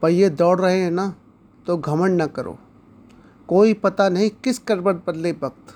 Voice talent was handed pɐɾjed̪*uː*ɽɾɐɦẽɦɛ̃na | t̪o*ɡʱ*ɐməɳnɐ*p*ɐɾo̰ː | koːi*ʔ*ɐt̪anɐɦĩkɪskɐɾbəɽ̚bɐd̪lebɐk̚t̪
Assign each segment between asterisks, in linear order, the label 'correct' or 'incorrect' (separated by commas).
incorrect, correct, incorrect, incorrect